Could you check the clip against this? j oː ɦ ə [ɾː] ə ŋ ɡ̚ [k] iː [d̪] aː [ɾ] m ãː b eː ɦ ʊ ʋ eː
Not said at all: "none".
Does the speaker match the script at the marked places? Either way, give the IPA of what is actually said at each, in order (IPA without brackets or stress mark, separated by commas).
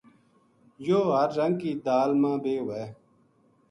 ɾː, k, d̪, l